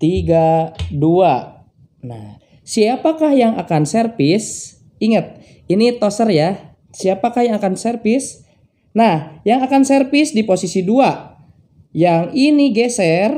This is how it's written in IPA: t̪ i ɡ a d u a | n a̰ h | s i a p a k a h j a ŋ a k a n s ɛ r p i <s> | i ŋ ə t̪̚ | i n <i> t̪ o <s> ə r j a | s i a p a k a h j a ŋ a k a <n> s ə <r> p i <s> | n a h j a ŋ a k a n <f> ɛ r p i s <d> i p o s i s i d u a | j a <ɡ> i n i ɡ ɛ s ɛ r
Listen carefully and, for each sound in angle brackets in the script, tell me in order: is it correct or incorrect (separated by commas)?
correct, correct, correct, correct, correct, correct, incorrect, correct, incorrect